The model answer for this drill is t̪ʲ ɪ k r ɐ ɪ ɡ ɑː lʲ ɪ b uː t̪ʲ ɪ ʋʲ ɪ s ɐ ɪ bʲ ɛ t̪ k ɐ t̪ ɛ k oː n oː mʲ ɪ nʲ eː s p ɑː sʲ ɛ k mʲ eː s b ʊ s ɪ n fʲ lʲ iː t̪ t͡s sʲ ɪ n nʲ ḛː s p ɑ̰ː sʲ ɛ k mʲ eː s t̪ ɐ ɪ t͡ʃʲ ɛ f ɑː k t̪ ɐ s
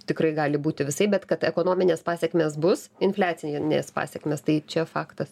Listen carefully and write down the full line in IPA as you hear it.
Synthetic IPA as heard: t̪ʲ ɪ k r ɐ ɪ ɡ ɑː lʲ ɪ b uː t̪ʲ ɪ ʋʲ ɪ s ɐ ɪ bʲ ɛ t̪ k ɐ t̪ ɛ k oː n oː mʲ ɪ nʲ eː s p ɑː sʲ ɛ k mʲ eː s b ʊ s ɪ n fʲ lʲ æː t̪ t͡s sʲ ɪ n nʲ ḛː s p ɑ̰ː sʲ ɛ k mʲ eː s t̪ ɐ ɪ t͡ʃʲ ɛ f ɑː k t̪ ɐ s

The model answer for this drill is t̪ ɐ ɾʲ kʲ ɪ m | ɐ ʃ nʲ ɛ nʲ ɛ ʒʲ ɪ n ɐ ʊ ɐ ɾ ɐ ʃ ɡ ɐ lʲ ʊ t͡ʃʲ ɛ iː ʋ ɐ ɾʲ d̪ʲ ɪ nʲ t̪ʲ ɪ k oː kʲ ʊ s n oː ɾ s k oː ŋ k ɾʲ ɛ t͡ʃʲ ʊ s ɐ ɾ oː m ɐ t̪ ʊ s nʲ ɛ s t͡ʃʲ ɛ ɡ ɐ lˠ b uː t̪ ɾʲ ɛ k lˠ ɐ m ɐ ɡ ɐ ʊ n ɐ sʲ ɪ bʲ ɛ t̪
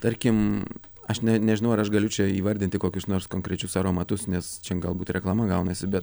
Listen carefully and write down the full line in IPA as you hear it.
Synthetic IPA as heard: t̪ ɐ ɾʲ kʲ ɪ m | ɐ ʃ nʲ ɛ nʲ ɛ ʒʲ ɪ n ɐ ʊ ɐ ɾ ɐ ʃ ɡ ɐ lʲ ʊ t͡ʃʲ ɛ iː ʋ ɐ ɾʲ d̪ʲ ɪ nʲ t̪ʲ ɪ k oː kʲ ʊ s n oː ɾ s k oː ŋ k ɾʲ ɛ t͡ʃʲ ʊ s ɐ ɾ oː m ɐ t̪ ʊ s nʲ ɛ s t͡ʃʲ ɛ ɡ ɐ lˠ b uː t̪ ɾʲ ɛ k lˠ ɐ m ɐ ɡ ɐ ʊ n ɐ sʲ ɪ bʲ ɛ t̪

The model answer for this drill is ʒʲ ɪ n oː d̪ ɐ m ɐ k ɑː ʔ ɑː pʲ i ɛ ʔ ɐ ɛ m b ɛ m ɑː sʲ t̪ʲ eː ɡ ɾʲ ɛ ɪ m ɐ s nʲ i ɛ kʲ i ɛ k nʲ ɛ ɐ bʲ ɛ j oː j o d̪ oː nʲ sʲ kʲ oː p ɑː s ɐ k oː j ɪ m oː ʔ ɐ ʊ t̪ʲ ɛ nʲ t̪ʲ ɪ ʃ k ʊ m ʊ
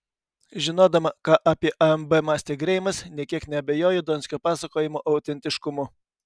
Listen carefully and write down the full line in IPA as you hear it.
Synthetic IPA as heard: ʒʲ ɪ n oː d̪ ɐ m ɐ k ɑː ʔ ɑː pʲ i ɛ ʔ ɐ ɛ m b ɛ m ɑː sʲ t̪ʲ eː ɡ ɾʲ ɛ ɪ m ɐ s nʲ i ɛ kʲ i ɛ k nʲ ɛ ɐ bʲ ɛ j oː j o d̪ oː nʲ sʲ kʲ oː p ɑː s ɐ k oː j ɪ m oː ʔ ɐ ʊ t̪ʲ ɛ nʲ t̪ʲ ɪ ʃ k ʊ m ʊ

